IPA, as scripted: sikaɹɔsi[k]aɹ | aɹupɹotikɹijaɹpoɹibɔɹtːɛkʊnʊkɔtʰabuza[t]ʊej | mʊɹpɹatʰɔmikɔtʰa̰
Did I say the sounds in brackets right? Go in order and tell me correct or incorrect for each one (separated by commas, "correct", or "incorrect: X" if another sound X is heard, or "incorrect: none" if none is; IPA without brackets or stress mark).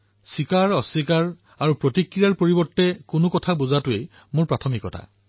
correct, correct